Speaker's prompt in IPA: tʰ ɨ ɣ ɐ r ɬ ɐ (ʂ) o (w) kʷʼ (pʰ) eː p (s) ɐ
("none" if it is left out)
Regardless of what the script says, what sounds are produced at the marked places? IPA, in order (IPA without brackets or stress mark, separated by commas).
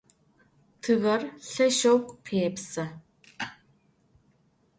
ʃ, w, pʰ, s